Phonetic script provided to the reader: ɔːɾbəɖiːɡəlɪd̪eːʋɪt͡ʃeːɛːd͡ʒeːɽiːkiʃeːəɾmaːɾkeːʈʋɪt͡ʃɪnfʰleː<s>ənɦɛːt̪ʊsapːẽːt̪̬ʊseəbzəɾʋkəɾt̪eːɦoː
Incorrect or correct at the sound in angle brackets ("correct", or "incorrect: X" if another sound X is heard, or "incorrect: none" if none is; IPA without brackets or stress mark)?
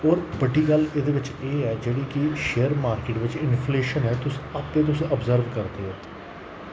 incorrect: ʃ